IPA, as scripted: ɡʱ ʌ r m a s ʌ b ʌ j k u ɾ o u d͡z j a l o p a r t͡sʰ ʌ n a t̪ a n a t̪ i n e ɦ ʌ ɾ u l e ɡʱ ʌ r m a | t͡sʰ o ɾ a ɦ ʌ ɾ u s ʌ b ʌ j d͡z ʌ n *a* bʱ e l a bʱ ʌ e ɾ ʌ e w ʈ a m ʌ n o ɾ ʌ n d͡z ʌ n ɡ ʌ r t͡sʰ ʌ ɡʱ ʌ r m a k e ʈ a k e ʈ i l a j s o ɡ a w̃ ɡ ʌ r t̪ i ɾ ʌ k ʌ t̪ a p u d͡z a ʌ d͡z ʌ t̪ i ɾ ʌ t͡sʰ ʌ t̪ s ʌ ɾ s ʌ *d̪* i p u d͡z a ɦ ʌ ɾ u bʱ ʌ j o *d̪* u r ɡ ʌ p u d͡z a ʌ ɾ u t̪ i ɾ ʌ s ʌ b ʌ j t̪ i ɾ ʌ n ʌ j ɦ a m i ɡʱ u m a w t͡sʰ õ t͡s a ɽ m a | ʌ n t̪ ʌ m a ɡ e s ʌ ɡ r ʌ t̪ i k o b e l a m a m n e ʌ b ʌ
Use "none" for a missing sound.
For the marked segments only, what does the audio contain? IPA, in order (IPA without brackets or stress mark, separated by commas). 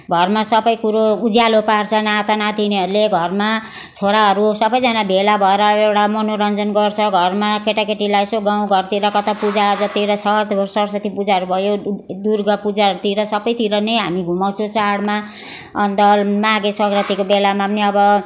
a, t̪, d̪